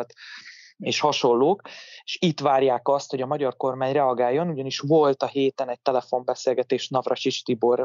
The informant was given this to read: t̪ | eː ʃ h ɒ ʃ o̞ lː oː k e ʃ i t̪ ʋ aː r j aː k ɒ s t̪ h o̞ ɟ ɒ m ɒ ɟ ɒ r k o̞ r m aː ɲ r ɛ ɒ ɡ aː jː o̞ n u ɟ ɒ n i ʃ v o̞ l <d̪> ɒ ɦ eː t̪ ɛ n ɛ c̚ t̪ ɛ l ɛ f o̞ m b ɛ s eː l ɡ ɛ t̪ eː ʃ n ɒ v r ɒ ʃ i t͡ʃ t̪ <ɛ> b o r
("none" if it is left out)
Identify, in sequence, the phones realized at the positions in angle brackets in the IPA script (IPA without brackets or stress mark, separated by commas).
t̪, i